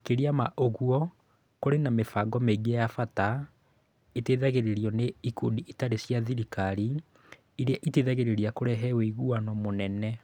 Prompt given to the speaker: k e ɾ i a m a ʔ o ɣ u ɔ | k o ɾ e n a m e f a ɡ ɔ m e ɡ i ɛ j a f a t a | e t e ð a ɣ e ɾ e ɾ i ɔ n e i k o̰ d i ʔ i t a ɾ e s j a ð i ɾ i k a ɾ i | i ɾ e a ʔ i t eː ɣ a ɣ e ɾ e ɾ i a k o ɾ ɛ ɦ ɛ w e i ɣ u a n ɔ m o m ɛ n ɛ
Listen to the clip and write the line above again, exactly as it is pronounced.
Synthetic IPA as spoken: k e ɾ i a m a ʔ o ɣ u ɔ | k o ɾ e n a m e f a ɡ ɔ m e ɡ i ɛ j a f a t a | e t e ð a ɣ e ɾ e ɾ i ɔ n e i k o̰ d i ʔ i t a ɾ e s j a ð i ɾ i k a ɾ i | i ɾ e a ʔ i t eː ð a ɣ e ɾ e ɾ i a k o ɾ ɛ ɦ ɛ w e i ɣ u a n ɔ m o n ɛ n ɛ